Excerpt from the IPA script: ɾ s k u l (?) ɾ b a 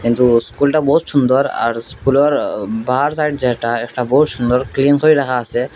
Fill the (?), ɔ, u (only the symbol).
ɔ